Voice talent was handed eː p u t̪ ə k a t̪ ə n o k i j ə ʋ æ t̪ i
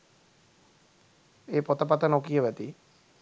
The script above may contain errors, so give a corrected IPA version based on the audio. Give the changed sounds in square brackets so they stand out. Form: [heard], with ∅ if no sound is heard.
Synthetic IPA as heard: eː p [o] t̪ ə [p] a t̪ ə n o k i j ə ʋ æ t̪ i